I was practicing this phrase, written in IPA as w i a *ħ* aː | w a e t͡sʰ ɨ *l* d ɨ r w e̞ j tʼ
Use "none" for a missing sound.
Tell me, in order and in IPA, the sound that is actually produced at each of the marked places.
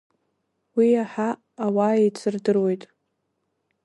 ħ, r

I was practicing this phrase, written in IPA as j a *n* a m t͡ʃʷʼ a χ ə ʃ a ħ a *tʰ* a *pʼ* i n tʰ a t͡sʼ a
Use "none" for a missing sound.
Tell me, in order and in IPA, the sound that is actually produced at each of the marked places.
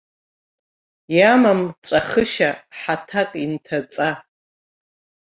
m, tʰ, kʼ

